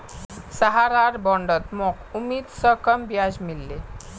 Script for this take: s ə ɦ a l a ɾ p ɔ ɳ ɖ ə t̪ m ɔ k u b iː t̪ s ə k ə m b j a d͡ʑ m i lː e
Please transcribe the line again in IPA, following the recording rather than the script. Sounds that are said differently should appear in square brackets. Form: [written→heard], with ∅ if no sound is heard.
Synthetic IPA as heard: s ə ɦ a [l→ɾ] a ɾ [p→b] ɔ ɳ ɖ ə t̪ m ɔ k u [b→m] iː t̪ s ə k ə m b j a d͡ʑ m i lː e